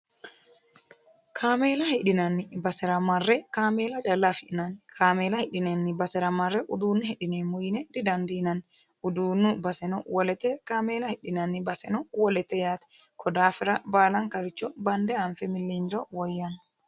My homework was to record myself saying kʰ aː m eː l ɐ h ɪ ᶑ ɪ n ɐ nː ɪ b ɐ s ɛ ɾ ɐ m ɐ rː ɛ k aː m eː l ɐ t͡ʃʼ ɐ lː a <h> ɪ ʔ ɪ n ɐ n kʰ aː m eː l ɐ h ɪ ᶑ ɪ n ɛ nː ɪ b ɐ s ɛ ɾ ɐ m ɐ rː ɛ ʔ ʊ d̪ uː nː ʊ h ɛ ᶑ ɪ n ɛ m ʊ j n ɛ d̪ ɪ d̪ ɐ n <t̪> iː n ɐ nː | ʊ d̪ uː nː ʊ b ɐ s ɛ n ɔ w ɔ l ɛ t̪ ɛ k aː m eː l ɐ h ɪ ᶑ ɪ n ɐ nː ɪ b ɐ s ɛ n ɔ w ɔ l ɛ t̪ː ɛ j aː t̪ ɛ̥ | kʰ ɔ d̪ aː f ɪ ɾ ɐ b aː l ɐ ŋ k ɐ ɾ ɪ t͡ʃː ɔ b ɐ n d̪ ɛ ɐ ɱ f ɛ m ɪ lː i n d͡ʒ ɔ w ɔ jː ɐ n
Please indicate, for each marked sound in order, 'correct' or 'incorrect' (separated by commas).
incorrect, incorrect